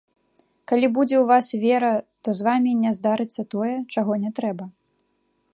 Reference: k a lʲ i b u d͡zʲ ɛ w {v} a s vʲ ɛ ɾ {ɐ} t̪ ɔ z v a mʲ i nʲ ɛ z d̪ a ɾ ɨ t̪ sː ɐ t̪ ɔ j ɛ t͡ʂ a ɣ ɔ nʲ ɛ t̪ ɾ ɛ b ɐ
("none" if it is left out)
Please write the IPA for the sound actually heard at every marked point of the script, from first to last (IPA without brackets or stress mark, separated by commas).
v, ɐ